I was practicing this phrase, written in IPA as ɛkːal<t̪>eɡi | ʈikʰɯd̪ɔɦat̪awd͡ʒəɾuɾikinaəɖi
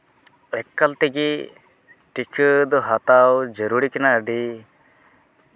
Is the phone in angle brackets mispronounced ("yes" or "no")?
no